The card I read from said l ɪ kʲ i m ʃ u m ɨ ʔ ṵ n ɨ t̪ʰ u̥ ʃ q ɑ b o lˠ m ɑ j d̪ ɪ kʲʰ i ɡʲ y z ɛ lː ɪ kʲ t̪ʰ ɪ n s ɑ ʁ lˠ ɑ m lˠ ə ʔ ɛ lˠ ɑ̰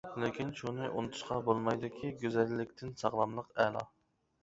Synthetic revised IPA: l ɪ kʲ i n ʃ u n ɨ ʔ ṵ n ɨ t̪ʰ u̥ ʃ q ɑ b o lˠ m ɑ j d̪ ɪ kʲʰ i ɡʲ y z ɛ lː ɪ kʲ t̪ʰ ɪ n s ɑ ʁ lˠ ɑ m lˠ ə q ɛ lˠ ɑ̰